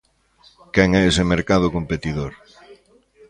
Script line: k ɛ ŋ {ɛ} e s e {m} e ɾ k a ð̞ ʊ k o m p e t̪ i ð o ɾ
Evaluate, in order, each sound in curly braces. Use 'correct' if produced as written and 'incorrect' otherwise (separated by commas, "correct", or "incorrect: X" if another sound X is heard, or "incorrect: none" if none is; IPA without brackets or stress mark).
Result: correct, correct